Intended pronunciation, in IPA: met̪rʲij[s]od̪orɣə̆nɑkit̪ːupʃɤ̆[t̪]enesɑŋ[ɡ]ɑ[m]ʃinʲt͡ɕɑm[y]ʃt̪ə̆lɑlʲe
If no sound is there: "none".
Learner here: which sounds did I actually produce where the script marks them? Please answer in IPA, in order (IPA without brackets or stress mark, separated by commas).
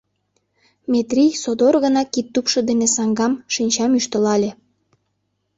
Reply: s, d̪, ɡ, m, y